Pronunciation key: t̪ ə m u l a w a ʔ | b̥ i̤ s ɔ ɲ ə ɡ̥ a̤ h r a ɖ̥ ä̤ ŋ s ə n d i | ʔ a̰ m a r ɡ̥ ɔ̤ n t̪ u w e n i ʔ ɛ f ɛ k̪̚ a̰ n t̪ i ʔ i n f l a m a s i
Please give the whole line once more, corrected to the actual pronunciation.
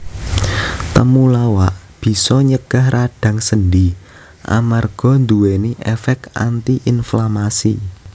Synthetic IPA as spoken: t̪ ə m u l a w a ʔ | b̥ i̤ s ɔ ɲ ə ɡ̥ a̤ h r a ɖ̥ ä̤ ŋ s ə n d i | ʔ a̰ m a r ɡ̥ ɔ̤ n d̪ u w e n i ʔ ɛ f ɛ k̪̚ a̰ n t̪ i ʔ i n f l a m a s i

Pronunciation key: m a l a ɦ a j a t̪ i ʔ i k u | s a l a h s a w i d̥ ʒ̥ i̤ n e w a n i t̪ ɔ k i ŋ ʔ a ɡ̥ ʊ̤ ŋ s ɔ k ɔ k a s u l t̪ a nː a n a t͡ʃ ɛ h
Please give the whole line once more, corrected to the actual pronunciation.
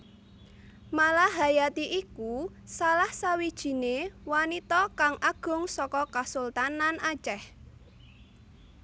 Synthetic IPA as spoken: m a l a ɦ a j a t̪ i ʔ i k u | s a l a h s a w i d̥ ʒ̥ i̤ n e w a n i t̪ ɔ k a ŋ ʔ a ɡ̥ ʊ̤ ŋ s ɔ k ɔ k a s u l t̪ a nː a n a t͡ʃ ɛ h

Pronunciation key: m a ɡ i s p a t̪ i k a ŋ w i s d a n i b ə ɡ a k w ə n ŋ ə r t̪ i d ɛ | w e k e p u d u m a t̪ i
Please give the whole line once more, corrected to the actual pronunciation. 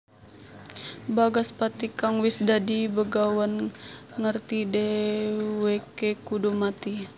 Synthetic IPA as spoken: b a ɡ a s p a t̪ i k a ŋ w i s d a d i b ə ɡ a w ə n ŋ ə r t̪ i d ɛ | w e k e k u d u m a t̪ i

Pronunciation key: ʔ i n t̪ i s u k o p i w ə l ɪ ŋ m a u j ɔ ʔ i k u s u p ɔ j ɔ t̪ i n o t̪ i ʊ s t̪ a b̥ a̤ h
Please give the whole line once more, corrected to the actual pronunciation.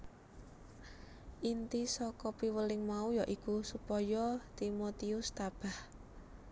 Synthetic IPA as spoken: ʔ i n t̪ i s ɔ k ɔ p i w ə l ɪ ŋ m a u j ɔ ʔ i k u s u p ɔ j ɔ t̪ i m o t̪ i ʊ s t̪ a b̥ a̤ h

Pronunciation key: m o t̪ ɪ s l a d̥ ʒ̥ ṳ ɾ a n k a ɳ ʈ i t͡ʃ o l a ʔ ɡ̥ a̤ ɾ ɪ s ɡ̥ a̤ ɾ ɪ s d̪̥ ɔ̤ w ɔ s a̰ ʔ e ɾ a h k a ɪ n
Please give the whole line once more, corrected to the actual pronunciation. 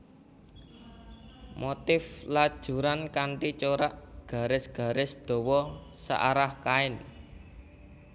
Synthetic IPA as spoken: m o t̪ ɪ f l a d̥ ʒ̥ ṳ ɾ a n k a ɳ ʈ i t͡ʃ o ɾ a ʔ ɡ̥ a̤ ɾ ɪ s ɡ̥ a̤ ɾ ɪ s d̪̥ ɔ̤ w ɔ s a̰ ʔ a ɾ a h k a ɪ n

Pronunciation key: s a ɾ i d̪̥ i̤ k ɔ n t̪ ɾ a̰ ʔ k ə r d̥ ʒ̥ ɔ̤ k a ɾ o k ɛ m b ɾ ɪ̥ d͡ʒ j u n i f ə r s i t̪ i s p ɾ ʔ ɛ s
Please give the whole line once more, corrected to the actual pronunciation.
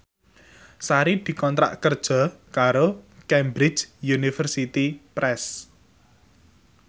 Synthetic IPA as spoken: s a ɾ i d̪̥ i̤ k ɔ n t̪ ɾ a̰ ʔ k ə r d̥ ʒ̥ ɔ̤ k a ɾ o k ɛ m b ɾ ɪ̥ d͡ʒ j u n i f ə r s i t̪ i p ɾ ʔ ɛ s

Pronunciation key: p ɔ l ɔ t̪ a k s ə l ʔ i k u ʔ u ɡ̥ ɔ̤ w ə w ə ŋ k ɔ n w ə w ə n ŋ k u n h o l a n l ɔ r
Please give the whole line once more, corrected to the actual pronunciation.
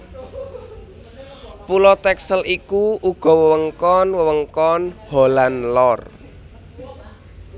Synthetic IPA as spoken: p u l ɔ t̪ ɛ k s ə l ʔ i k u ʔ u ɡ̥ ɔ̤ w ə w ə ŋ k ɔ n w ə w ə ŋ k ɔ n h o l a n l ɔ r

